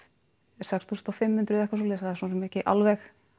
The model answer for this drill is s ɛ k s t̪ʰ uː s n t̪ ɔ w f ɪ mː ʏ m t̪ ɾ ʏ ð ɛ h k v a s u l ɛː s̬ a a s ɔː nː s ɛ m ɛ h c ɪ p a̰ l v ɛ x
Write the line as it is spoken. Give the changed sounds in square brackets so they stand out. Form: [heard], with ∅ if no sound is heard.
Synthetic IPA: s ɛ k s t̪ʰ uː s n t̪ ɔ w f ɪ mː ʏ [n] t̪ ɾ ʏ ð ɛ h k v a s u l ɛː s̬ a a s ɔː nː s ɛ m ɛ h c ɪ [ʔ] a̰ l v ɛ x

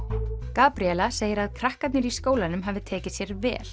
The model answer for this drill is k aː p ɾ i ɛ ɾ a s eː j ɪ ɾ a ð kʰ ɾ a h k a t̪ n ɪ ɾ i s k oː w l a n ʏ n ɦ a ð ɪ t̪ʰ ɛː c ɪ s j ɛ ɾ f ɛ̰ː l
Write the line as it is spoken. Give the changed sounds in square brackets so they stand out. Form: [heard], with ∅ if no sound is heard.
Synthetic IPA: k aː p ɾ i ɛ [l] a s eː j ɪ ɾ a ð kʰ ɾ a h k a t̪ n ɪ ɾ i s k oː w l a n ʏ [m] ɦ a [v] ɪ t̪ʰ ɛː c ɪ s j ɛ ɾ [v] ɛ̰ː l

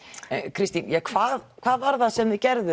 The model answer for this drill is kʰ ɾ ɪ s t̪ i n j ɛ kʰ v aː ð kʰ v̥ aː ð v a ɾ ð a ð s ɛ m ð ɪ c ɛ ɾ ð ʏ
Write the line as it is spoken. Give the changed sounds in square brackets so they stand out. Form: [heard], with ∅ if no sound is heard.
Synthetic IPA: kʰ ɾ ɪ s t̪ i n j ɛ kʰ v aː ð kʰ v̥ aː ð v a ɾ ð a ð s ɛ m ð ɪ c ɛ ɾ ð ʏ

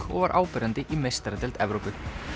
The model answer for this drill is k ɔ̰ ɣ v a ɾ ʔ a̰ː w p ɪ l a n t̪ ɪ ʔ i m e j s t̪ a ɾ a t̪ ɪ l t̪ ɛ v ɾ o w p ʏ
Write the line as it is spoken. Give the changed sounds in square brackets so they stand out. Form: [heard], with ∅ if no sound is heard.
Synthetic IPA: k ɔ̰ ɣ v a ɾ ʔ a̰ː w p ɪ [ɾ] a n t̪ ɪ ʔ i m e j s t̪ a ɾ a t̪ ɪ l t̪ ɛ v ɾ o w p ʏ

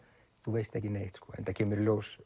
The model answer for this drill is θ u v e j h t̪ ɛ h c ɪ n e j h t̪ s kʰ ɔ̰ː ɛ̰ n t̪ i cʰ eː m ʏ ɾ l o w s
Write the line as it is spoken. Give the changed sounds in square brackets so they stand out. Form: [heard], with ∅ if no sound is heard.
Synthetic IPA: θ u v e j [s] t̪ ɛ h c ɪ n e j h t̪ s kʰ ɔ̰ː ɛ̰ n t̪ [a] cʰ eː m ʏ ɾ l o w s

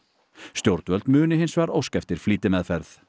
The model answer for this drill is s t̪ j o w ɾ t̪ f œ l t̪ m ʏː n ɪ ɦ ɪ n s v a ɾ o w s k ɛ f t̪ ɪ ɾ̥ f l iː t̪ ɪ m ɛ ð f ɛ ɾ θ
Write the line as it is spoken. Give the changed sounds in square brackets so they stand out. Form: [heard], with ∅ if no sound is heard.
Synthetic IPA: s t̪ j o w ɾ t̪ [v] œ l t̪ m ʏː n ɪ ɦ ɪ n s v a ɾ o w s k ɛ f t̪ ɪ ɾ̥ f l iː t̪ ɪ m ɛ ð f ɛ ɾ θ

